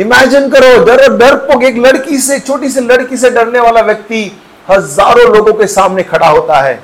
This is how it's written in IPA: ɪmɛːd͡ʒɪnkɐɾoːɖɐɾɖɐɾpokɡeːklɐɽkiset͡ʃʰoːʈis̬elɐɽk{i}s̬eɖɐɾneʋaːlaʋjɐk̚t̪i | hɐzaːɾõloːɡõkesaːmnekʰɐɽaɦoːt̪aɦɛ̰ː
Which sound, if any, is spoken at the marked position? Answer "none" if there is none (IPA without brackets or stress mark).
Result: i